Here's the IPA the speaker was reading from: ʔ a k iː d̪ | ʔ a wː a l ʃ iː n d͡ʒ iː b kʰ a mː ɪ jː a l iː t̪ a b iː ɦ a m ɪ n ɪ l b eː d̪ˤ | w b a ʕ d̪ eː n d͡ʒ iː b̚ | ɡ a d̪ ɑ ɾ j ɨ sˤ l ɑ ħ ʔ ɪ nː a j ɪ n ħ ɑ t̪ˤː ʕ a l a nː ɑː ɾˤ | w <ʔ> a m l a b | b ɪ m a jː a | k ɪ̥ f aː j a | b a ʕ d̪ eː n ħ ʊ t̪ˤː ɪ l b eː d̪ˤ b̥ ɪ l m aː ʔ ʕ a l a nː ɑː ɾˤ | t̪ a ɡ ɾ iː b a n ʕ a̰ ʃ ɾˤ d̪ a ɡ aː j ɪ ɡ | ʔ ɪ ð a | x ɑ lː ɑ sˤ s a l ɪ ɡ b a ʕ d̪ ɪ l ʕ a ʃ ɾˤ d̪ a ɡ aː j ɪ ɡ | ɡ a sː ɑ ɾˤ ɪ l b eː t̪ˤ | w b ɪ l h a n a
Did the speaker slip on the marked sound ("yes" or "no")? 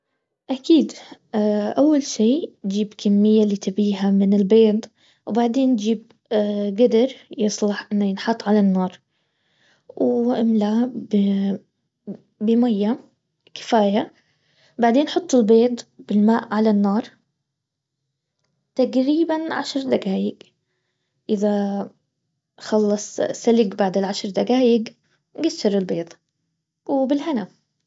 no